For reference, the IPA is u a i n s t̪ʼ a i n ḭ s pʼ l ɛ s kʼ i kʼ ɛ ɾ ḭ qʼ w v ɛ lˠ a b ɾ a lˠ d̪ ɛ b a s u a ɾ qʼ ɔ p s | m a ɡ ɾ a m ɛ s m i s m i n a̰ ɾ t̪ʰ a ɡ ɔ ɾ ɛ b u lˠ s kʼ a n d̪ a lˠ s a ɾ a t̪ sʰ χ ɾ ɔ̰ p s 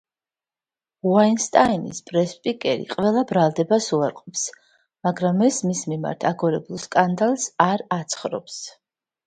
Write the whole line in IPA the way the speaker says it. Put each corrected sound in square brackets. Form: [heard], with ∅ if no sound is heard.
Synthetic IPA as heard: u a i n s t̪ʼ a i n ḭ s pʼ [ɾ] ɛ s [pʼ] i kʼ ɛ ɾ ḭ qʼ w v ɛ lˠ a b ɾ a lˠ d̪ ɛ b a s u a ɾ qʼ ɔ p s | m a ɡ ɾ a m ɛ s m i s m i [m] a̰ ɾ t̪ʰ a ɡ ɔ ɾ ɛ b u lˠ s kʼ a n d̪ a lˠ s a ɾ a t̪ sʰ χ ɾ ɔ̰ p s